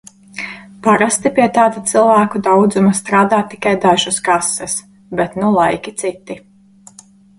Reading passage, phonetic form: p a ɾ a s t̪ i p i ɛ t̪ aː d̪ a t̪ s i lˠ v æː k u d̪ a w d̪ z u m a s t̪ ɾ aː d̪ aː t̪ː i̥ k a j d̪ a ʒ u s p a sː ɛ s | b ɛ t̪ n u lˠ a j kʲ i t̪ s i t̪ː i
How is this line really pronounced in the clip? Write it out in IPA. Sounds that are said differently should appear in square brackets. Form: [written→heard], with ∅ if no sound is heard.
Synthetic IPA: p a ɾ a s t̪ i p i ɛ t̪ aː d̪ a t̪ s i lˠ v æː k u d̪ a w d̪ z u m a s t̪ ɾ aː d̪ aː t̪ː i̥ k a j d̪ a ʒ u s [p→k] a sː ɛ s | b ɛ t̪ n u lˠ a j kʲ i t̪ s i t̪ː i

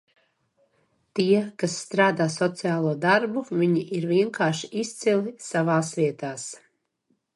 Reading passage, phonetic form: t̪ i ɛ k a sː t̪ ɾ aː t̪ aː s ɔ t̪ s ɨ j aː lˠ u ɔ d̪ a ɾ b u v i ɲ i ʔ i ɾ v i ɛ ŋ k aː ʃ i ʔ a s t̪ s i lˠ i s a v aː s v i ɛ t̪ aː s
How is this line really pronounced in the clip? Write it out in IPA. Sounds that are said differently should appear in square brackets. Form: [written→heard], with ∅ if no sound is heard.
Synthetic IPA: t̪ i ɛ k a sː t̪ ɾ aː [t̪→d̪] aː s ɔ t̪ s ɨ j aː lˠ u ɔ d̪ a ɾ b u v i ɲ i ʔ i ɾ v i ɛ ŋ k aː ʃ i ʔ [a→i] s t̪ s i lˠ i s a v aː s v i ɛ t̪ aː s

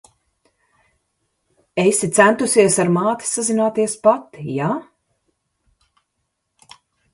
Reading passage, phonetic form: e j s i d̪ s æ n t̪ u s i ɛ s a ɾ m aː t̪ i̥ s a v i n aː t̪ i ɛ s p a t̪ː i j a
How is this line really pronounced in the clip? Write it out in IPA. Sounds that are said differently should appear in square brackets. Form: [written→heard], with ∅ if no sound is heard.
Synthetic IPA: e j s i [d̪→t̪] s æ n t̪ u s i ɛ s a ɾ m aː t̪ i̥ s a [v→z] i n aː t̪ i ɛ s p a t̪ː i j a

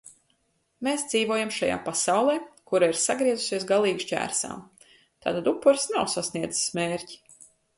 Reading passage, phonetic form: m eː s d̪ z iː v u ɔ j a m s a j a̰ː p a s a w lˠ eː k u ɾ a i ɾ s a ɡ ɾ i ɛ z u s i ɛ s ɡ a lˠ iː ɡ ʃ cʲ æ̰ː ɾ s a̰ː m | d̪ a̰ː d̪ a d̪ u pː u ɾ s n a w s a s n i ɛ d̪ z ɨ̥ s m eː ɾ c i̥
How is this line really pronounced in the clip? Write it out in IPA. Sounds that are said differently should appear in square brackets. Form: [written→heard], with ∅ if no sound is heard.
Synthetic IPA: m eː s d̪ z iː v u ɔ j a m [s→ʃ] a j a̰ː p a s a w lˠ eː k u ɾ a i ɾ s a ɡ ɾ i ɛ z u s i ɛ s ɡ a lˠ iː ɡ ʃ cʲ æ̰ː ɾ s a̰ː m | [d̪→t̪] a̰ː [d̪→t̪] a d̪ u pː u ɾ s n a w s a s n i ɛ d̪ z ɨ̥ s m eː ɾ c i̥

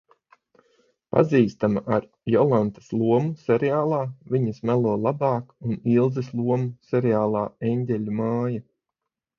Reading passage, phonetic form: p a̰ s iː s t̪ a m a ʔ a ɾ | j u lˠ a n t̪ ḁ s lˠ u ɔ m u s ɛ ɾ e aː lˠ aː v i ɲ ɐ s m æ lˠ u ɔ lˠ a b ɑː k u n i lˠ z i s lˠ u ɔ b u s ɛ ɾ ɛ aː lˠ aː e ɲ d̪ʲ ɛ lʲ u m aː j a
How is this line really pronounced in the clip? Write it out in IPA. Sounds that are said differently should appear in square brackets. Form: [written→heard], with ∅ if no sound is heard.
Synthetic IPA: p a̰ [s→z] iː s t̪ a m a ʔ a ɾ | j [u→ɔ] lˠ a n t̪ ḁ s lˠ u ɔ m u s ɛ ɾ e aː lˠ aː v i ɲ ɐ s m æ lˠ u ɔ lˠ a b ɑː k u n i lˠ z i s lˠ u ɔ [b→m] u s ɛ ɾ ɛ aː lˠ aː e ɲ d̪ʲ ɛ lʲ u m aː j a

